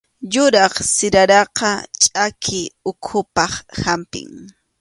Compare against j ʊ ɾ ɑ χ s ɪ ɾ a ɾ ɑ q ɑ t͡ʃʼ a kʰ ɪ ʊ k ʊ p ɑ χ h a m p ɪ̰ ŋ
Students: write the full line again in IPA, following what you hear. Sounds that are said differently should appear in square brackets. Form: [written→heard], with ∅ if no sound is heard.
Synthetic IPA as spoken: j ʊ ɾ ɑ χ s ɪ ɾ a ɾ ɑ q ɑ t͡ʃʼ a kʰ ɪ ʊ [k→kʰ] ʊ p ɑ χ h a m p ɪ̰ ŋ